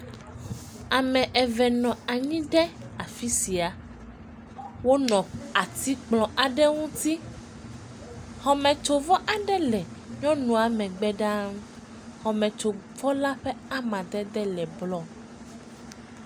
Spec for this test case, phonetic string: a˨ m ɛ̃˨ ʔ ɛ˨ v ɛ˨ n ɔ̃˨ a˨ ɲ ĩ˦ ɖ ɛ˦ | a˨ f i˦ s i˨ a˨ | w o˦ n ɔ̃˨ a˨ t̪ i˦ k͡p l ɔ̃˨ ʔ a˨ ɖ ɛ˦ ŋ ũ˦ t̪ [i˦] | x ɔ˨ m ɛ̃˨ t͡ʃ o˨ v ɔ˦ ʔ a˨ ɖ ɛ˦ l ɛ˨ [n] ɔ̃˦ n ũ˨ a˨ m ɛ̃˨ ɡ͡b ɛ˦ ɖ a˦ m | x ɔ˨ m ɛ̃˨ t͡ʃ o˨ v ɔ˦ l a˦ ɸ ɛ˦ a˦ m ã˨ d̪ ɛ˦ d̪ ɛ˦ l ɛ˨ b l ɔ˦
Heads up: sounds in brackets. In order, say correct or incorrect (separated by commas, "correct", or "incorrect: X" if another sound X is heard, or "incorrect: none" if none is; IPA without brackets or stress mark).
correct, incorrect: ɲ